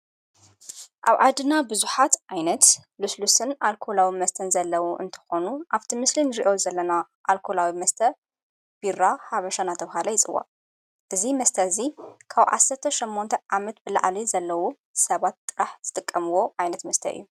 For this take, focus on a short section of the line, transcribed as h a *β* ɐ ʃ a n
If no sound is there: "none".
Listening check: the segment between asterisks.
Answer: β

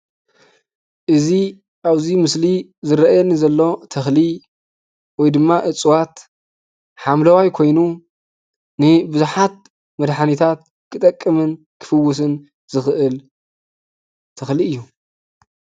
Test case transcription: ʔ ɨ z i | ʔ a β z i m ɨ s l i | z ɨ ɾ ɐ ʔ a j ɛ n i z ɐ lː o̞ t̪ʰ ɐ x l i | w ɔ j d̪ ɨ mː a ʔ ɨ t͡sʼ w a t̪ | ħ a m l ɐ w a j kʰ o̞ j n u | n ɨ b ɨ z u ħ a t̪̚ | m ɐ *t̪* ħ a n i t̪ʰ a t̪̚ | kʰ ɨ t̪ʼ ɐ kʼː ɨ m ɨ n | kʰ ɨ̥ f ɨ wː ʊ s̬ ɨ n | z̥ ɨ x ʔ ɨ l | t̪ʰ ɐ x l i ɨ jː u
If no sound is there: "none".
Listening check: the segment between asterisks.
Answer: d̪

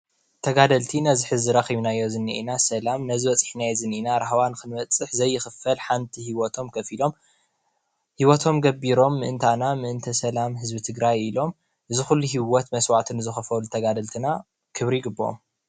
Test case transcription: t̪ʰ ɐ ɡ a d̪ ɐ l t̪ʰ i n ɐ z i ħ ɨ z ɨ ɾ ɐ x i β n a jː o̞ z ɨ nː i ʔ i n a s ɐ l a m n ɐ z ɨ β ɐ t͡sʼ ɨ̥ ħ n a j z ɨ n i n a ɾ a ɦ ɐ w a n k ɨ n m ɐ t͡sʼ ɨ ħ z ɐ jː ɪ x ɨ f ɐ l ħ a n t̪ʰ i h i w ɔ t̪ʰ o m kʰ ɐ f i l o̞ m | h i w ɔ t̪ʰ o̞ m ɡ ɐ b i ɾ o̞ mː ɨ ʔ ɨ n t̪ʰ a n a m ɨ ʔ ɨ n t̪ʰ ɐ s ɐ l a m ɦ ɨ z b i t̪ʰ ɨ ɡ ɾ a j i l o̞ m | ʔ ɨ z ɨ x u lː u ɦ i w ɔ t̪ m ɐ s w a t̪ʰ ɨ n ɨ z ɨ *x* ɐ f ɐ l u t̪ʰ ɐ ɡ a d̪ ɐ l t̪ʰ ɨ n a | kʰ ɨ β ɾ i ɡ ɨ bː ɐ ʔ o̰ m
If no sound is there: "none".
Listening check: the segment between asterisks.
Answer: x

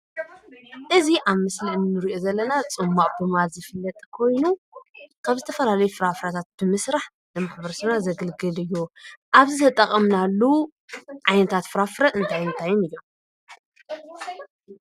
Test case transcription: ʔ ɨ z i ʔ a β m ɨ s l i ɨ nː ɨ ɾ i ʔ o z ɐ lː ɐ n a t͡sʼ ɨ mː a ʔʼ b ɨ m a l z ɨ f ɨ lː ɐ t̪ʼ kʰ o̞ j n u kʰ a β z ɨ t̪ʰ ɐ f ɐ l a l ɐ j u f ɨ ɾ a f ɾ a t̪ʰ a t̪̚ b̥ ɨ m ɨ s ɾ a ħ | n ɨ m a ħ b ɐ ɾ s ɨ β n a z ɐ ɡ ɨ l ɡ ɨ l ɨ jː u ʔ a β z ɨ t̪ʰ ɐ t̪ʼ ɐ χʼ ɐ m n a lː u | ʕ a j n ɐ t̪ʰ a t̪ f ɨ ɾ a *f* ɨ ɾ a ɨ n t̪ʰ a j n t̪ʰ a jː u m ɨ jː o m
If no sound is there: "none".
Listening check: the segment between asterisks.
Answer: f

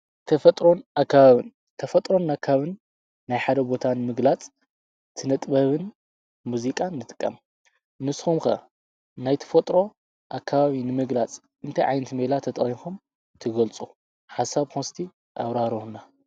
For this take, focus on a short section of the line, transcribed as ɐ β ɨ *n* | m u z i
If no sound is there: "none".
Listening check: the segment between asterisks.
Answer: n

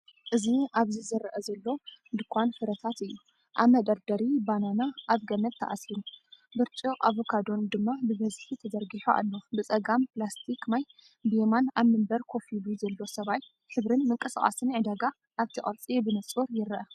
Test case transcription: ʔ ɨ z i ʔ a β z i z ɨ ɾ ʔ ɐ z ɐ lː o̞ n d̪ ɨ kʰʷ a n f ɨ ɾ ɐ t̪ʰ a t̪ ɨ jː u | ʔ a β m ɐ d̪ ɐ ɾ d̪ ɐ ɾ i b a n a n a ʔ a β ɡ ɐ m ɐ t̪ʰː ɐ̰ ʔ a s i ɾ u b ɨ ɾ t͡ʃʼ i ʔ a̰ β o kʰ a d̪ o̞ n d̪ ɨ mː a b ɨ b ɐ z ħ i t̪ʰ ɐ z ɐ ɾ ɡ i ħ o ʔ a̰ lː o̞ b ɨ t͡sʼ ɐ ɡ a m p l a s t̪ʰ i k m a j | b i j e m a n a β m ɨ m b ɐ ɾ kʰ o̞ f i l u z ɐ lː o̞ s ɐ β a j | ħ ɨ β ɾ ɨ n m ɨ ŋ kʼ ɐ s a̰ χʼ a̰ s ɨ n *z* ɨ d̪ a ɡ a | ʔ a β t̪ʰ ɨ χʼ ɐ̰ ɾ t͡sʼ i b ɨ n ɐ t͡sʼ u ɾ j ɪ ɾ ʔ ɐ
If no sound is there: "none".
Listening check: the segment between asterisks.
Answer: ʕ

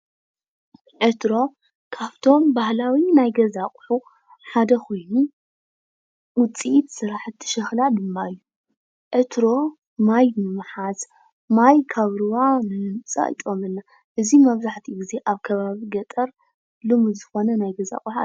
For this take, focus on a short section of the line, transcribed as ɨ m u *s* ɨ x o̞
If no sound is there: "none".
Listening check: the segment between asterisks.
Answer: z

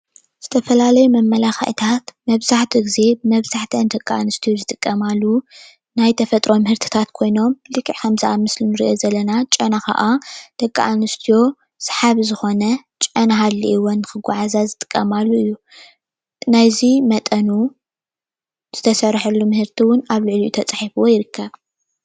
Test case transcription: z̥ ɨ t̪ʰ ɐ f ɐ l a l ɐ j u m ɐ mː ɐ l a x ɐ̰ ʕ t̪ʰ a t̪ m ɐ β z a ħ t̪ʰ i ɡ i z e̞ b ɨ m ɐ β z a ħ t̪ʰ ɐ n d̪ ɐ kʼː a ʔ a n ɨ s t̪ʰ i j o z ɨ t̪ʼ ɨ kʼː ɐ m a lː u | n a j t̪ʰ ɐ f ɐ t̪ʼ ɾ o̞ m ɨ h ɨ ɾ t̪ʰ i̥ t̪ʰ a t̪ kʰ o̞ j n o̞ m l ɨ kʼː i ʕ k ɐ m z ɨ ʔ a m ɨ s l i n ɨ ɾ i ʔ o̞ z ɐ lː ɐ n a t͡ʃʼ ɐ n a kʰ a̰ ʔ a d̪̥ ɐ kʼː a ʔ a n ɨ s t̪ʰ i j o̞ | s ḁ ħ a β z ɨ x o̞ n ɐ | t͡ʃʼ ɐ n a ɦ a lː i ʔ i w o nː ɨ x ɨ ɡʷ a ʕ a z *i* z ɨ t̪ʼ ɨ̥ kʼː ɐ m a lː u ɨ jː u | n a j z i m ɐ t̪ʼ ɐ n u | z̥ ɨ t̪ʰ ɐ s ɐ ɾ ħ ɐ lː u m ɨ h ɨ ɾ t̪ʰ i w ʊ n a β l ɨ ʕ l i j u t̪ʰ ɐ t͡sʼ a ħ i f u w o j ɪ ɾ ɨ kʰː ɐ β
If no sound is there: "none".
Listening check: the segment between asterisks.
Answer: a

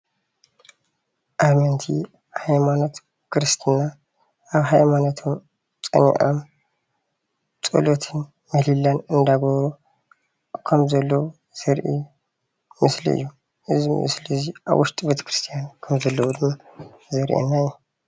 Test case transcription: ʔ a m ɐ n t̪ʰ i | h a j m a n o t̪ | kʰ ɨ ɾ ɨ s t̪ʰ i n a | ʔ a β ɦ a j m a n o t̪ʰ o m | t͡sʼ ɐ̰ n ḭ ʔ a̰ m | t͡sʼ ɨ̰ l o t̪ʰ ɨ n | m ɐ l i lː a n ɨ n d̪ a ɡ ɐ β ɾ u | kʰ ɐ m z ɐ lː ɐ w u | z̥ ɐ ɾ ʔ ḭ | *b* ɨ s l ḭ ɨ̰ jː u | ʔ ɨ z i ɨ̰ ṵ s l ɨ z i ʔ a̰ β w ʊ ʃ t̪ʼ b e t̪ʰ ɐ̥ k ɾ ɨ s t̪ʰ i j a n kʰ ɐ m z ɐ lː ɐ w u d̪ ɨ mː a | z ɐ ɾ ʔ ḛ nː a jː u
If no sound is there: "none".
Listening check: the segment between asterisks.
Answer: m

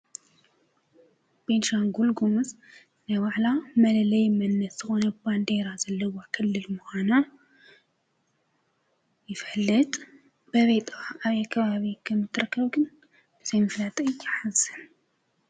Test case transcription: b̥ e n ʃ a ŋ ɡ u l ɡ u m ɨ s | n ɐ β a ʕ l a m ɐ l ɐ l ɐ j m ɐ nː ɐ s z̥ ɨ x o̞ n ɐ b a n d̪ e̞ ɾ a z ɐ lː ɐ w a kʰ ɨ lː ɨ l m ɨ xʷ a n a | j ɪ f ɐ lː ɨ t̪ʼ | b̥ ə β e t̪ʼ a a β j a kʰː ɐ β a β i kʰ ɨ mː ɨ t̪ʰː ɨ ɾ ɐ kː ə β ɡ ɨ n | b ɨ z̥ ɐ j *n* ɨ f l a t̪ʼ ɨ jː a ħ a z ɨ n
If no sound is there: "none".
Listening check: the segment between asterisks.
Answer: m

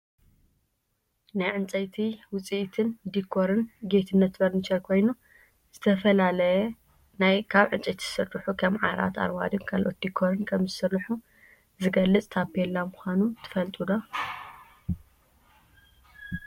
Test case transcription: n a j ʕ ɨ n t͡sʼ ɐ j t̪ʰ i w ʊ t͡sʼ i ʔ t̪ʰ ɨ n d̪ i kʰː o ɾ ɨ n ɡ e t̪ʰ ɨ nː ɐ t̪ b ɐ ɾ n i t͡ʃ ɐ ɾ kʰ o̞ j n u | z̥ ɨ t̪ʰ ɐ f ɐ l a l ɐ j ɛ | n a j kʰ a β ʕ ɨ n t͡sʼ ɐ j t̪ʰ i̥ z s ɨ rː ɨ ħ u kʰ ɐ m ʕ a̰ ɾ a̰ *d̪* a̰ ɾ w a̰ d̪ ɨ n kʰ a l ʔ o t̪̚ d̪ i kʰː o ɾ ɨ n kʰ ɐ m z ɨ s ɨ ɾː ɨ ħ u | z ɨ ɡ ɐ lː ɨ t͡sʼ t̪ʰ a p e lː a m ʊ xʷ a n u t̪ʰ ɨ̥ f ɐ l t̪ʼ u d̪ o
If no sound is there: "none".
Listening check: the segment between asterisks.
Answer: t̪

